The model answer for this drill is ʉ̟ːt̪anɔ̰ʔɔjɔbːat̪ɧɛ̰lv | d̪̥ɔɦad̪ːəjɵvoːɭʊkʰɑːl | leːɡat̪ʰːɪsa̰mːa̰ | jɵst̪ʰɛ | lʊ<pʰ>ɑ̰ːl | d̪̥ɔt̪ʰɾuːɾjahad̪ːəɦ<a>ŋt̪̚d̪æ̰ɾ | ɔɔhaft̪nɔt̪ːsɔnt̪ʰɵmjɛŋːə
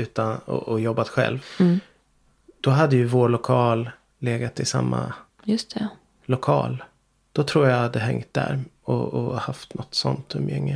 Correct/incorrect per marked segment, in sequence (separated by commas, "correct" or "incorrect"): incorrect, incorrect